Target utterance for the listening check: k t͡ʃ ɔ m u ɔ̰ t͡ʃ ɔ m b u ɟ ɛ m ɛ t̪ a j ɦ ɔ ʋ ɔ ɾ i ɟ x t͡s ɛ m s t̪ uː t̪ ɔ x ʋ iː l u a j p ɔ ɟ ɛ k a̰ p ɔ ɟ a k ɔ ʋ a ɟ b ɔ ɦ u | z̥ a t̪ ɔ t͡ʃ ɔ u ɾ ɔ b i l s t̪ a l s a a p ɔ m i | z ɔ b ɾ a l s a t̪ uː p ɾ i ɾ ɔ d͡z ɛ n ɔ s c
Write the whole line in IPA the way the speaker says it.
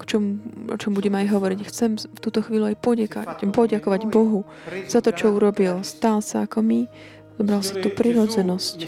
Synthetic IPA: k t͡ʃ ɔ m u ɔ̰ t͡ʃ ɔ m b u ɟ ɛ m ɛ a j ɦ ɔ ʋ ɔ ɾ i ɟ x t͡s ɛ m f t̪ uː t̪ ɔ x ʋ iː l u a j p ɔ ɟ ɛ k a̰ p ɔ ɟ a k ɔ ʋ a ɟ b ɔ ɦ u | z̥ a t̪ ɔ t͡ʃ ɔ u ɾ ɔ b i l s t̪ a l s a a k ɔ m i | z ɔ b ɾ a l s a t̪ uː p ɾ i ɾ ɔ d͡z ɛ n ɔ s c